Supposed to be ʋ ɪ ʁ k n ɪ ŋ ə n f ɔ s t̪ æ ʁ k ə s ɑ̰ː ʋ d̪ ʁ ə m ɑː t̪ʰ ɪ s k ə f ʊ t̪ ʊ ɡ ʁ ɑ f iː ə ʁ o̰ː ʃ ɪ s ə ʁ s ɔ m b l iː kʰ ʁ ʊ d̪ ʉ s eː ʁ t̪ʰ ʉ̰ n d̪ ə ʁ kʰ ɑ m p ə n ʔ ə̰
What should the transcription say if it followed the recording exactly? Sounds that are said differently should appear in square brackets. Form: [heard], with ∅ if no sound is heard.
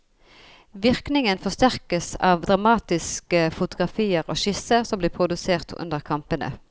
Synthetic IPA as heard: ʋ ɪ ʁ k n ɪ ŋ ə n f ɔ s t̪ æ ʁ k ə s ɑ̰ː ʋ d̪ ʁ [ɑ] m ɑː [t̪] ɪ s k ə f ʊ t̪ ʊ ɡ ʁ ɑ f iː ə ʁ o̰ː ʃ ɪ s ə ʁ s ɔ m b l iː [pʰ] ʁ ʊ d̪ ʉ s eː ʁ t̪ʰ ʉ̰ n d̪ ə ʁ kʰ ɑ m p ə n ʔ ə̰

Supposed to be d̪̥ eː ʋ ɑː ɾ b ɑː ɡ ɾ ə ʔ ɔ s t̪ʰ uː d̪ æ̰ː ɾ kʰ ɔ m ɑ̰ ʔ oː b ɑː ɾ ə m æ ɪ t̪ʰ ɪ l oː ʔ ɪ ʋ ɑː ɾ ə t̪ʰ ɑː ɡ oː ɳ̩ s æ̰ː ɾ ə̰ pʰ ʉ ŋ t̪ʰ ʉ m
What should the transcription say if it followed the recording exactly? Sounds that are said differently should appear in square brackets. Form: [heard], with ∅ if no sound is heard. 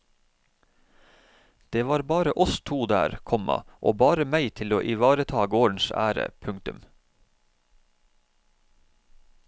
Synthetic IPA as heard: d̪̥ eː ʋ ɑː ɾ b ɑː [∅] ɾ ə ʔ ɔ s t̪ʰ uː d̪ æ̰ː ɾ kʰ ɔ m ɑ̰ ʔ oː b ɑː ɾ ə m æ ɪ t̪ʰ ɪ l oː ʔ ɪ ʋ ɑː ɾ ə t̪ʰ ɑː ɡ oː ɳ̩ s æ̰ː ɾ ə̰ pʰ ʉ ŋ [t̪] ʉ m

